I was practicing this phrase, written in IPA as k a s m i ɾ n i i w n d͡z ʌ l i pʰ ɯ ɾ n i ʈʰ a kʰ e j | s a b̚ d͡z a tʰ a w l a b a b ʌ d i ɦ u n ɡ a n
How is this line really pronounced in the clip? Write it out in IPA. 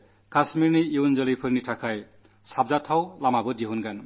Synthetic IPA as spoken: k a s m i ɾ n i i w n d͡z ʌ l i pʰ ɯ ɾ n i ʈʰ a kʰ a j | s a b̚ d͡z a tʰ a w l a m a b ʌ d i ɦ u n ɡ a n